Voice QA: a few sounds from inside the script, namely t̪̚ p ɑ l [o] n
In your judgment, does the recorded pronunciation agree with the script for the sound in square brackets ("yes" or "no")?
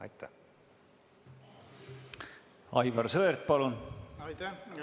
no